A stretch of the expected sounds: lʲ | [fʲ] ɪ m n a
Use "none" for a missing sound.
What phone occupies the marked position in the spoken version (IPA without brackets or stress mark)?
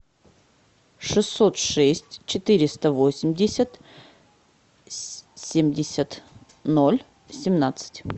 sʲ